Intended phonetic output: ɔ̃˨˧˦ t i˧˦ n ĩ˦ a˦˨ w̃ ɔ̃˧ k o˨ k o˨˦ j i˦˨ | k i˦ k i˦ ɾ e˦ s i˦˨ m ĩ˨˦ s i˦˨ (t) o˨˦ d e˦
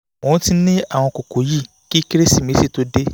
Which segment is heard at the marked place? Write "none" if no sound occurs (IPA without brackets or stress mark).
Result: t